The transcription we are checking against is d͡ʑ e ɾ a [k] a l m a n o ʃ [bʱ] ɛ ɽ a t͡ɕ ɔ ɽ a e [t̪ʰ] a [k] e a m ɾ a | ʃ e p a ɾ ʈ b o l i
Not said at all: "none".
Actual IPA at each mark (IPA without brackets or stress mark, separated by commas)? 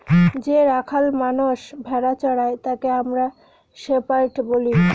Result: kʰ, bʱ, t̪, k